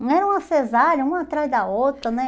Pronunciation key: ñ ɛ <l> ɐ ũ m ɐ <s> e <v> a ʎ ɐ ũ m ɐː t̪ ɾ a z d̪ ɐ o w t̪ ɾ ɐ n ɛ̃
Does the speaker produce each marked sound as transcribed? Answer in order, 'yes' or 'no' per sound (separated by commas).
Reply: no, yes, no